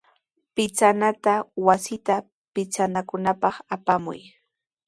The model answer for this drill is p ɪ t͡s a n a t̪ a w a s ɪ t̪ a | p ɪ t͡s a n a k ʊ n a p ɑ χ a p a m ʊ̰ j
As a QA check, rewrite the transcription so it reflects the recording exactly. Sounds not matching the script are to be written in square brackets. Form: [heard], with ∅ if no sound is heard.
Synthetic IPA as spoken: p ɪ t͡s a n a t̪ a w a s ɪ t̪ a | p ɪ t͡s a n a k ʊ n a p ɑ χ a p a m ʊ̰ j